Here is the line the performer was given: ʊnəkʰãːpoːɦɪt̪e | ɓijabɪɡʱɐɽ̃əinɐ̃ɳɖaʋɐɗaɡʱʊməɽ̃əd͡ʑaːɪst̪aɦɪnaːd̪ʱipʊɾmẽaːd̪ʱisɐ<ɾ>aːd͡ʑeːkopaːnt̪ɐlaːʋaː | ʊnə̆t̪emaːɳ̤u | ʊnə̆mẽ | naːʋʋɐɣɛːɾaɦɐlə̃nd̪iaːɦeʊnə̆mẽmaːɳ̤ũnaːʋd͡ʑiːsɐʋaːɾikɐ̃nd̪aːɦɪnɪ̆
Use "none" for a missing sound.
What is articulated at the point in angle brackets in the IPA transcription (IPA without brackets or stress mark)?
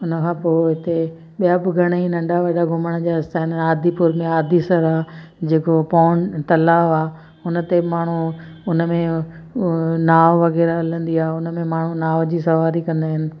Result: ɾ